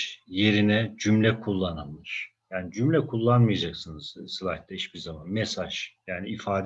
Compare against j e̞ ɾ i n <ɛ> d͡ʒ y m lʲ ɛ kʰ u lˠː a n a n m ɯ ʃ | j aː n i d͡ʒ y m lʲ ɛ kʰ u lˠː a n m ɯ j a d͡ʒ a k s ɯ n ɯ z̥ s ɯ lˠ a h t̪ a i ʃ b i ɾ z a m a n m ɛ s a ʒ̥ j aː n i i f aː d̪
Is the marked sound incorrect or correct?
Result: correct